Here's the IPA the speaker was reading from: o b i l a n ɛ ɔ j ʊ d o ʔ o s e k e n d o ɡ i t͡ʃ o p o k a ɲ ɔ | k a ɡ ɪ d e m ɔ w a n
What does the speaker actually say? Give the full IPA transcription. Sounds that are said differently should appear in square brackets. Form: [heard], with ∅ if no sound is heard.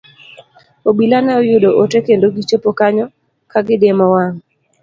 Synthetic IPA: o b i l a n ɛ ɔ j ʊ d o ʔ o [t] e k e n d o ɡ i t͡ʃ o p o k a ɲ ɔ | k a ɡ ɪ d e m ɔ w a [ŋ]